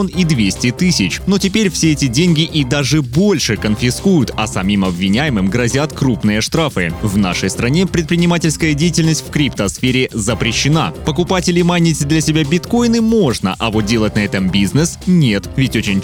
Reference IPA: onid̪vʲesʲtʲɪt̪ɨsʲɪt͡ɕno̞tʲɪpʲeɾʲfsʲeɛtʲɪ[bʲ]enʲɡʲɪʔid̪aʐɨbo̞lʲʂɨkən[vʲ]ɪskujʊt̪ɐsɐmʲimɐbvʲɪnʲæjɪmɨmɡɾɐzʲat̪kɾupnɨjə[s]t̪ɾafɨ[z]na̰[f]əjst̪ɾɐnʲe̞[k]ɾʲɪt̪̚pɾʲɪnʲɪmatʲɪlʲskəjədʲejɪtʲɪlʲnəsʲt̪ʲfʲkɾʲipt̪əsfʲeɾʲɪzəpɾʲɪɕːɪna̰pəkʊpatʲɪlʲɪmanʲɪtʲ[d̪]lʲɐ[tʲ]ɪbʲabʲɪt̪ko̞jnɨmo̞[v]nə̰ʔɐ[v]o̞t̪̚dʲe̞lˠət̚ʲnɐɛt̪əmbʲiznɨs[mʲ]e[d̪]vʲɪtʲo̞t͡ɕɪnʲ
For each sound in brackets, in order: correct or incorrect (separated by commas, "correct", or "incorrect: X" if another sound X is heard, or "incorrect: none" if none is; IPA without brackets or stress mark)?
incorrect: dʲ, incorrect: fʲ, incorrect: ʂ, incorrect: v, incorrect: ʂ, incorrect: p, correct, incorrect: sʲ, incorrect: ʐ, correct, incorrect: nʲ, incorrect: t̪